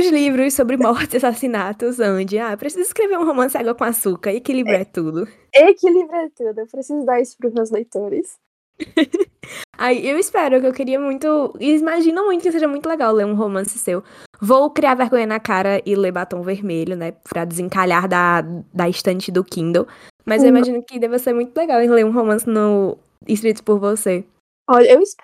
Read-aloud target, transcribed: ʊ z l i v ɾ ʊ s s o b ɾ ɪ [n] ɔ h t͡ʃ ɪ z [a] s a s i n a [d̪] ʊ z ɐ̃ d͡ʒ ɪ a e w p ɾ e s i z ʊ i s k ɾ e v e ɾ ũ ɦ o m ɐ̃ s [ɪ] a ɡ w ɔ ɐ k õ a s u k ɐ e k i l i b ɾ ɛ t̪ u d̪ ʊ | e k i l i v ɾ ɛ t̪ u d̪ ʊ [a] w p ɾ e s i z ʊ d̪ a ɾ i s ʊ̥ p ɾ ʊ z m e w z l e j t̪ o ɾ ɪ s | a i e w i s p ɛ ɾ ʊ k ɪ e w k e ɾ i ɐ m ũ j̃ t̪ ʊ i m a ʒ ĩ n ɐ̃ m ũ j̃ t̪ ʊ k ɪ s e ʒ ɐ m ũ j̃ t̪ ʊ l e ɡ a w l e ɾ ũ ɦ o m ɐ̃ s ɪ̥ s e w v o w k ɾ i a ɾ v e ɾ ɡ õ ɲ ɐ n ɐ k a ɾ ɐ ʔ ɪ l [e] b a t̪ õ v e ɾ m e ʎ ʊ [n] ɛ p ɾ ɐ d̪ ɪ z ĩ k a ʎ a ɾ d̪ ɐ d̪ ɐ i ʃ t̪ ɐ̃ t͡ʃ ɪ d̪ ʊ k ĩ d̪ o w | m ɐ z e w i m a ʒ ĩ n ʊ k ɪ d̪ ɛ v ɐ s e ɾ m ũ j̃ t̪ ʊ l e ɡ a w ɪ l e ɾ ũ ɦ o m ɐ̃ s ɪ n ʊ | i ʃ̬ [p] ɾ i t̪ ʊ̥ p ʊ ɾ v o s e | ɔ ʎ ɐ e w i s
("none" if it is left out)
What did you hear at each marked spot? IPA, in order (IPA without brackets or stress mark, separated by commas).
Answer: m, a, t̪, ɪ, e, e, n, k